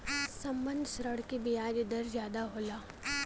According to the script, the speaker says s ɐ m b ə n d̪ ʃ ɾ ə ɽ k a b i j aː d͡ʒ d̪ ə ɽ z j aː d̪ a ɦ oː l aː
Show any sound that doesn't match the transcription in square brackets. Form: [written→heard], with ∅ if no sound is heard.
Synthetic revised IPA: s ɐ m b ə n d̪ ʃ ɾ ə ɽ k [a→i] b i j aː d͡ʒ d̪ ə [ɽ→ɾ] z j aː d̪ a ɦ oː l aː